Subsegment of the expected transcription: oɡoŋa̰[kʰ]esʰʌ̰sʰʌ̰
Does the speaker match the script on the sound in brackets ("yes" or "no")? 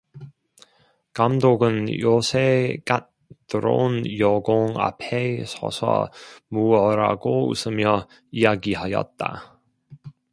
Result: no